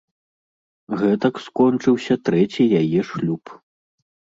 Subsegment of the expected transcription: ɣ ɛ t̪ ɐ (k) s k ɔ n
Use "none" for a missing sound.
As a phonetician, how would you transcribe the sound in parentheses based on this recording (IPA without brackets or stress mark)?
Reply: k